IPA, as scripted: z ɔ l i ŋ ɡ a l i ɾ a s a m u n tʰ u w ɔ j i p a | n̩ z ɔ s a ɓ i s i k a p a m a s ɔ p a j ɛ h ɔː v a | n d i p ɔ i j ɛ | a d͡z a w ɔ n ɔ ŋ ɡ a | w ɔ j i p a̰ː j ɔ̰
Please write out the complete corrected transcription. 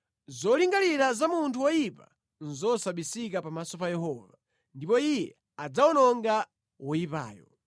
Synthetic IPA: z ɔ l i ŋ ɡ a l i ɾ a z a m u n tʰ u w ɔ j i p a | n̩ z ɔ s a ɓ i s i k a p a m a s ɔ p a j ɛ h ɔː v a | n d i p ɔ i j ɛ | a d͡z a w ɔ n ɔ ŋ ɡ a | w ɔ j i p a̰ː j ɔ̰